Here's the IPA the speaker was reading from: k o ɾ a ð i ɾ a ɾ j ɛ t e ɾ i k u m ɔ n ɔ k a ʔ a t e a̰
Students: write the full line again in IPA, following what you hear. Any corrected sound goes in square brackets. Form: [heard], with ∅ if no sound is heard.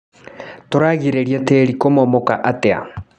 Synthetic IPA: [t] o ɾ a [ɣ] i ɾ [e] ɾ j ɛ t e ɾ i k [o] m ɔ [m] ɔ k a ʔ a t e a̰